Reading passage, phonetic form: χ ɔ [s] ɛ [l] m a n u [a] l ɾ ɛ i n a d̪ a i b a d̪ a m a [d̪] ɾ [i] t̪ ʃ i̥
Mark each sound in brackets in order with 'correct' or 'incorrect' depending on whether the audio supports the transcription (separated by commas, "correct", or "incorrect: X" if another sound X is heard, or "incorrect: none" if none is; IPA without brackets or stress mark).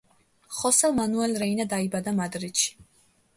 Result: correct, correct, incorrect: ɛ, correct, correct